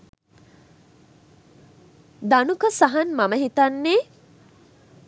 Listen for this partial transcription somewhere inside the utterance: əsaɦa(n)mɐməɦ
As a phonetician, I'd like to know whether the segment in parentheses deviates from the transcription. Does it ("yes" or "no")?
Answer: no